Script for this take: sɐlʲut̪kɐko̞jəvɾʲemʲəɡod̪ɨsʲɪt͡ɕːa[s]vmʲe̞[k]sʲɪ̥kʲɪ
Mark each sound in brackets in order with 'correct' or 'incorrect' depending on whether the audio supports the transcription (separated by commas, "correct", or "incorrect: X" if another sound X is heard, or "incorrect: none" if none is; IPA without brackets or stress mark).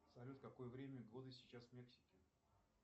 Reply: correct, correct